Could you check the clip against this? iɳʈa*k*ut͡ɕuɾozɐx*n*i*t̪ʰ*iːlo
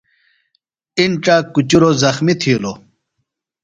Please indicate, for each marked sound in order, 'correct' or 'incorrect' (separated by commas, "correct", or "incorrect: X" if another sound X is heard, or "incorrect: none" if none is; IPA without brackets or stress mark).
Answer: correct, incorrect: m, correct